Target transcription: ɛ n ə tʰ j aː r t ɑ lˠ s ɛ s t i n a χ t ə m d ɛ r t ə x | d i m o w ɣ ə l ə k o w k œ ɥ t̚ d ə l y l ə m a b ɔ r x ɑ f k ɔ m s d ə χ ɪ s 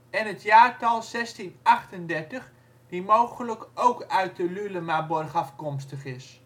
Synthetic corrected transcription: ɛ n ə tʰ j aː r t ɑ lˠ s ɛ s t i n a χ t ə n d ɛ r t ə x | d i m o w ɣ ə l ə k o w k œ ɥ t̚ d ə l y l ə m a b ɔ r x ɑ f k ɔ m s t ə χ ɪ s

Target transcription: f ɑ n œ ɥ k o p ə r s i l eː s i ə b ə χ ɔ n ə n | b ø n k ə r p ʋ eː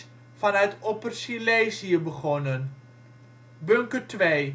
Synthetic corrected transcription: f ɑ n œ ɥ t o p ə r s i l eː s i ə b ə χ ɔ n ə n | b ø ŋ k ə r t ʋ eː

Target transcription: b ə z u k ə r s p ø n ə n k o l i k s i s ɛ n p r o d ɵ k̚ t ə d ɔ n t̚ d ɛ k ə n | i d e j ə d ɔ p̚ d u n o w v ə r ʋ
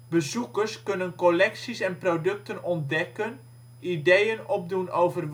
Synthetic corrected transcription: b ə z u k ə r s k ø n ə n k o l ɛ k s i s ɛ n p r o d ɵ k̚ t ə n ɔ n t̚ d ɛ k ə n | i d e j ə n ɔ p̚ d u n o w v ə r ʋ

